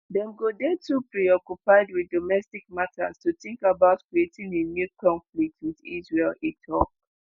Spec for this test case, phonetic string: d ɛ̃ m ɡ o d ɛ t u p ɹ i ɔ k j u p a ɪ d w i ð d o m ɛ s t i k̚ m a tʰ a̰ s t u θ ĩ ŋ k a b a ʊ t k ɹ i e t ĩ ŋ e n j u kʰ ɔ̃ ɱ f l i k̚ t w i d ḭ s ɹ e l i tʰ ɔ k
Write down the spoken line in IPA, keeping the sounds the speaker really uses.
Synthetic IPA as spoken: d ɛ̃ m ɡ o d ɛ t u p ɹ i ɔ k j u p a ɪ d w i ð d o m ɛ s t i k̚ m a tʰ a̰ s t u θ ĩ ŋ k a b a ʊ t k ɹ i e t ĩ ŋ e n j u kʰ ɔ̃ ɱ f l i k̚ t w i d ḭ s ɹ e l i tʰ ɔ k